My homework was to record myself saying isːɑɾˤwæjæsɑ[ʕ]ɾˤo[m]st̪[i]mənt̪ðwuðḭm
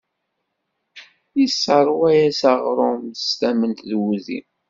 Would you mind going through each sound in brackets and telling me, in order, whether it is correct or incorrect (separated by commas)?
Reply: incorrect, correct, incorrect